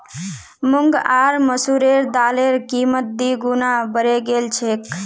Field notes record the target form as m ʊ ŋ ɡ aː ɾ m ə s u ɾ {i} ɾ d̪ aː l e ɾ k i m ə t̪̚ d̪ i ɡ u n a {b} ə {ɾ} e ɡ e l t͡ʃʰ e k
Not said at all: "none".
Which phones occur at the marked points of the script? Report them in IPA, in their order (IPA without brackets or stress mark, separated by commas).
e, b, ɾ